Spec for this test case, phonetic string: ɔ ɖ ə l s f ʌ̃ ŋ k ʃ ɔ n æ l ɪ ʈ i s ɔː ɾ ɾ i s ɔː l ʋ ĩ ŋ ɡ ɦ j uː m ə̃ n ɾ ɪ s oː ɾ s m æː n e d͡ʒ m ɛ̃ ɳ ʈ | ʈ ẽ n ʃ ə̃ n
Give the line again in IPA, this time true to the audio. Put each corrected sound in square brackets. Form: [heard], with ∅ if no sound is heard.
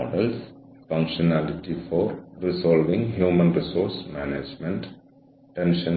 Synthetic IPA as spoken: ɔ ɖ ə l s f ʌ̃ ŋ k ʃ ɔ n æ l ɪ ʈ i [f] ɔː ɾ ɾ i s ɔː l ʋ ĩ ŋ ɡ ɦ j uː m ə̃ n ɾ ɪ s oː ɾ s m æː n e d͡ʒ m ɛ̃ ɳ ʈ | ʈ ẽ n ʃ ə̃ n